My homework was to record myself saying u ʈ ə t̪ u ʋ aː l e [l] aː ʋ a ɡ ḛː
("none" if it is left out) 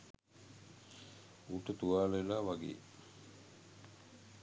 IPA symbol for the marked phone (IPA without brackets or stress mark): l